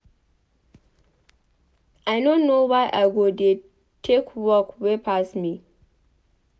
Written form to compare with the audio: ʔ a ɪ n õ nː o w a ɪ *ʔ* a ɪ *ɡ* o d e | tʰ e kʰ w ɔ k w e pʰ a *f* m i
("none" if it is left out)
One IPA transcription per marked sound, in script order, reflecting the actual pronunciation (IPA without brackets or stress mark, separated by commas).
ʔ, ɡ, s